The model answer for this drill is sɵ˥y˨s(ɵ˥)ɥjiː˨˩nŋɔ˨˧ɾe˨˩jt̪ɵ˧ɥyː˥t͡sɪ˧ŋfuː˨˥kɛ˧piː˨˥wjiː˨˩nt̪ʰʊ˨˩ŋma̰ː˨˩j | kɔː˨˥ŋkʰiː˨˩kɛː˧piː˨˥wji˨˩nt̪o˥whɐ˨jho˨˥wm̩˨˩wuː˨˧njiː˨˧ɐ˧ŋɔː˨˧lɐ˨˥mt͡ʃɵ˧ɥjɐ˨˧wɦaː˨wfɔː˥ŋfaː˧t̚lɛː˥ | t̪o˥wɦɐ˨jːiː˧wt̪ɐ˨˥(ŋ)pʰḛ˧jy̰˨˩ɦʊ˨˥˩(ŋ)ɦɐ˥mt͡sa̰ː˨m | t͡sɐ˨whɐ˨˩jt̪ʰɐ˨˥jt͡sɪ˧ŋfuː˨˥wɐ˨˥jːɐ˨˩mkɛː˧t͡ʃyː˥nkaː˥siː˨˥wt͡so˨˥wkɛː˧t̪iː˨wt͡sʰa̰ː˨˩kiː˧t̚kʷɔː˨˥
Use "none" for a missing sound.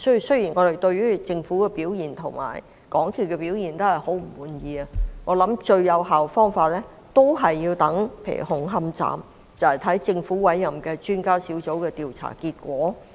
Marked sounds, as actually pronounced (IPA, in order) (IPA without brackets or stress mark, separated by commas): ɵ˥, ŋ, ŋ